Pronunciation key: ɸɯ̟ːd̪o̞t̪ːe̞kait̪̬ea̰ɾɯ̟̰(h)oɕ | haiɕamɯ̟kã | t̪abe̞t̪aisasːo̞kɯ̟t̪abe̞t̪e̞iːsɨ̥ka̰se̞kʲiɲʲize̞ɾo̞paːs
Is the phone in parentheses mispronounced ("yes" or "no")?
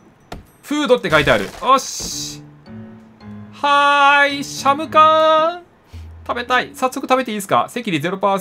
yes